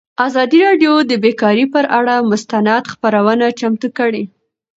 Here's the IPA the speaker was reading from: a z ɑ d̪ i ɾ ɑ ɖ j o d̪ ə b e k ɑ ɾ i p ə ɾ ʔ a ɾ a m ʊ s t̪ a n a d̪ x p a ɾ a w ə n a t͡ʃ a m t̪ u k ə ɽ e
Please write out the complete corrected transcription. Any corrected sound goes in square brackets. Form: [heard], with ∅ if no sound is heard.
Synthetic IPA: a z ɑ d̪ i ɾ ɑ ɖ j o d̪ ə b e k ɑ ɾ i p ə ɾ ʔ a [ɽ] a m ʊ s t̪ a n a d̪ x p a ɾ a w ə n a t͡ʃ a m t̪ u k ə ɽ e